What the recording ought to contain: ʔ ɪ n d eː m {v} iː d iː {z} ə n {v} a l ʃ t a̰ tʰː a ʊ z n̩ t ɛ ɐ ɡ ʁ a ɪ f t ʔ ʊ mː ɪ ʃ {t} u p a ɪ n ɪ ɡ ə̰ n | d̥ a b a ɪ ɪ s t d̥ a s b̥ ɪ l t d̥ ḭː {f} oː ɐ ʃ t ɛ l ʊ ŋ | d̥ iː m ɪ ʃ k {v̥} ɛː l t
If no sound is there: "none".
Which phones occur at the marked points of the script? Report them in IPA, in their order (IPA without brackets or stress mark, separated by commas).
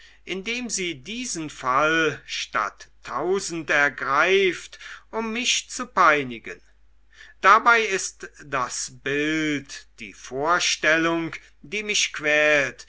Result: z, z, f, t͡s, f, v̥